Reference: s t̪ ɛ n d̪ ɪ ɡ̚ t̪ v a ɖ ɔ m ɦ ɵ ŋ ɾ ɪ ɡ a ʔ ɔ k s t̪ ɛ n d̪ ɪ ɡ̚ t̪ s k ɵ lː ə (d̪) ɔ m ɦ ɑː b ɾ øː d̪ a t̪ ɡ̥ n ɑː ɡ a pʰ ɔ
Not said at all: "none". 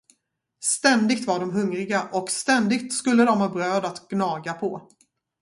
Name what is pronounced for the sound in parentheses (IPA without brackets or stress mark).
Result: d̪